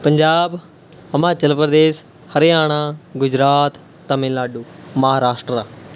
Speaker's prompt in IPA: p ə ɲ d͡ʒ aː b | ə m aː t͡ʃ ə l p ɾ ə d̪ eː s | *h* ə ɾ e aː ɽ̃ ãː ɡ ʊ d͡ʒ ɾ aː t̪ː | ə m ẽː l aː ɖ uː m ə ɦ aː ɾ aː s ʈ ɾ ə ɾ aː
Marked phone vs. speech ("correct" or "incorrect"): correct